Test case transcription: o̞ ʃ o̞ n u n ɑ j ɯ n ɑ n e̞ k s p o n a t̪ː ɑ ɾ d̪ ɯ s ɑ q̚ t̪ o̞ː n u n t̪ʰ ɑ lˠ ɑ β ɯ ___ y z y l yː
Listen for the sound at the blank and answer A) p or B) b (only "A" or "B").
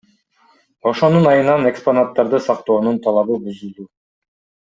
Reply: B